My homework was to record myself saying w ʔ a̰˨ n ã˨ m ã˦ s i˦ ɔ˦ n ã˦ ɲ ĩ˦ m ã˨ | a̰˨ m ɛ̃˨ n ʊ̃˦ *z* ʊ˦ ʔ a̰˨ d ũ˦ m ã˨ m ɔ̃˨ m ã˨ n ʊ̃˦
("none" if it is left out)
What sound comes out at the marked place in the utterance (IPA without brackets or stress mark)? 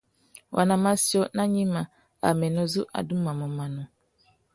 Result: z